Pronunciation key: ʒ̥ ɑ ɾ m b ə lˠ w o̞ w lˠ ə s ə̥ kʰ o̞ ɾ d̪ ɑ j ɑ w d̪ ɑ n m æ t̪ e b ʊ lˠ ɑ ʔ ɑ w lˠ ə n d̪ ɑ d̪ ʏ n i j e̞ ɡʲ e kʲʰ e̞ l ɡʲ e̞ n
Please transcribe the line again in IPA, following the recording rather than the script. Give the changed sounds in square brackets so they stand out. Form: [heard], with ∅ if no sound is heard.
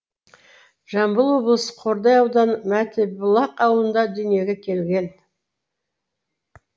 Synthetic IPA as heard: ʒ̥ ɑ [∅] m b ə lˠ w o̞ [b] lˠ ə s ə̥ [qʰ] o̞ ɾ d̪ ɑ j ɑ w d̪ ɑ n m æ t̪ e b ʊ lˠ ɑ [q] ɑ w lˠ ə n d̪ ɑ d̪ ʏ n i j e̞ ɡʲ e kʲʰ e̞ l ɡʲ e̞ n